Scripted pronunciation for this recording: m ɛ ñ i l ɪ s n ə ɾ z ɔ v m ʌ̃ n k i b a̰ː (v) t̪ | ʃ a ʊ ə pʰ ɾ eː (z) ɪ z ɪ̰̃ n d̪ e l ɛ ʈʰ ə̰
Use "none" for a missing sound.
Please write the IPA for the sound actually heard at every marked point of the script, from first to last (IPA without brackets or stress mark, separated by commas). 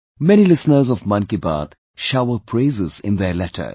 none, z